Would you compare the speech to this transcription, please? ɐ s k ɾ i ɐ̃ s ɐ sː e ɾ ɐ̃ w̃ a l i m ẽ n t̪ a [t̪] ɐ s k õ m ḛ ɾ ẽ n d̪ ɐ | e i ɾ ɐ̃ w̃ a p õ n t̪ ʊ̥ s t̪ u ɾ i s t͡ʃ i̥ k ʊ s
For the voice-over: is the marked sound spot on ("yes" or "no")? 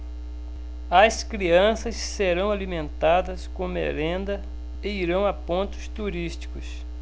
no